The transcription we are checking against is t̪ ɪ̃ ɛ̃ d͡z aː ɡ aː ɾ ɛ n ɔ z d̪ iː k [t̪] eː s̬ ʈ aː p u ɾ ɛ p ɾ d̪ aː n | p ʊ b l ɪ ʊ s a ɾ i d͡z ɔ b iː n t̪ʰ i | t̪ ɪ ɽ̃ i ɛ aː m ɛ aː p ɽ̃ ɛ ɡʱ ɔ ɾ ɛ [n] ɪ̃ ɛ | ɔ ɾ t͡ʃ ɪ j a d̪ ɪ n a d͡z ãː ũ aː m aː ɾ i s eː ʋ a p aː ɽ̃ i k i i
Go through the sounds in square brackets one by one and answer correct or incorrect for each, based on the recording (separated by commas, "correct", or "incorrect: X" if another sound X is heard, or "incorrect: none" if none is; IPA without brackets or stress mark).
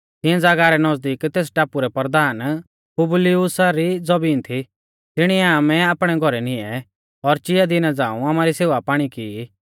correct, correct